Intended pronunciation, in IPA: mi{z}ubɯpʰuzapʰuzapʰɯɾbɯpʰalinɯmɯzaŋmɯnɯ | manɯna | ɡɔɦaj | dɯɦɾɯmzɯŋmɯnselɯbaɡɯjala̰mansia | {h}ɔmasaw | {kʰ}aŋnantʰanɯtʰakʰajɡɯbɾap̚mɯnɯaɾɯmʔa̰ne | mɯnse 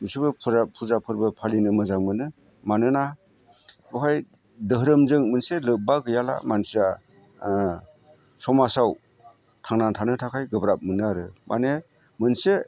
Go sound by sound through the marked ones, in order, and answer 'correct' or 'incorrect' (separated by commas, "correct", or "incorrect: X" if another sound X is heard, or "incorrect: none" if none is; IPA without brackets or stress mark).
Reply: incorrect: s, incorrect: s, incorrect: tʰ